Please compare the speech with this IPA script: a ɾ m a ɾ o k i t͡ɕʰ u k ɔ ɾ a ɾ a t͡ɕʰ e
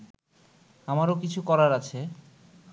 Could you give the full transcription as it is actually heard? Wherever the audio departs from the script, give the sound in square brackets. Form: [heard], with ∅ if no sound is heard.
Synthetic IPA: a [∅] m a ɾ o k i t͡ɕʰ u k ɔ ɾ a ɾ a t͡ɕʰ e